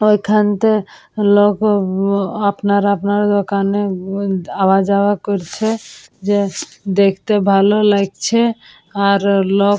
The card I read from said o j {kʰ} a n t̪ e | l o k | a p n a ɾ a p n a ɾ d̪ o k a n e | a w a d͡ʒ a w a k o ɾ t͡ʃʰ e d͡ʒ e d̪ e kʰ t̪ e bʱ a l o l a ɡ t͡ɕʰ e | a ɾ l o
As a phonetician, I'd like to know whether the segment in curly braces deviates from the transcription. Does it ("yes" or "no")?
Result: no